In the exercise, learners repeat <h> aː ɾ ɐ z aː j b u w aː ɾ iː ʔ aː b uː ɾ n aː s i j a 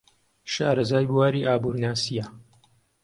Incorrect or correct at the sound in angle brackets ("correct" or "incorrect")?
incorrect